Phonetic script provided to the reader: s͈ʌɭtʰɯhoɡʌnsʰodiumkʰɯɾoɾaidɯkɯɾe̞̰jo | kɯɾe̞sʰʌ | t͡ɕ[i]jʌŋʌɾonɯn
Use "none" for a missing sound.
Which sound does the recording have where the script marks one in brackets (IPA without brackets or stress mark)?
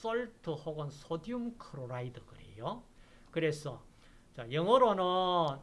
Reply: a